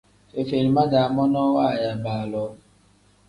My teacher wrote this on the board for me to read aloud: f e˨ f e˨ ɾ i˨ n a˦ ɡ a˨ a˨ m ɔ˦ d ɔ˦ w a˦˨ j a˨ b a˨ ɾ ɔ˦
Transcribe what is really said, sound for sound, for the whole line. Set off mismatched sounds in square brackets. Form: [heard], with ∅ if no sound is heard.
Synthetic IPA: f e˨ f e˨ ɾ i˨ [m] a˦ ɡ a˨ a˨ m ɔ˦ [n] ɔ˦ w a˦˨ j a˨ b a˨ [l] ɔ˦

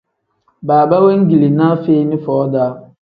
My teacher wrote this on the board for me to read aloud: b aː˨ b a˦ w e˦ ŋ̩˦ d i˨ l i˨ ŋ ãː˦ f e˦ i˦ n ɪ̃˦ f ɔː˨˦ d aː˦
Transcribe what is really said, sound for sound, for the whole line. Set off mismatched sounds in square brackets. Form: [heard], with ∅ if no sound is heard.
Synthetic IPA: b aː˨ b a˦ w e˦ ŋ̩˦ [ɡ] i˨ l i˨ [n] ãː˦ f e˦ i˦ n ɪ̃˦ f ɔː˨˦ d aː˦

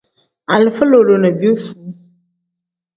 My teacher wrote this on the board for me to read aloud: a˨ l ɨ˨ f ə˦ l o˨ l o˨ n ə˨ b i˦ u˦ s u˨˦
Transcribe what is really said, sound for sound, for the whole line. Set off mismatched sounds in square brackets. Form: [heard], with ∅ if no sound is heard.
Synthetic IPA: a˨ l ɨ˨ f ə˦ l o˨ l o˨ n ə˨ b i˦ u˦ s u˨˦

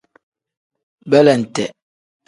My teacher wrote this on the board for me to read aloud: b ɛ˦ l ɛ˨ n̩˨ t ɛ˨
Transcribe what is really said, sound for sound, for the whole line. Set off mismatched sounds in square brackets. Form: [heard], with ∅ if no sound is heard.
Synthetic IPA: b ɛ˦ l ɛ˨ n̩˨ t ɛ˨

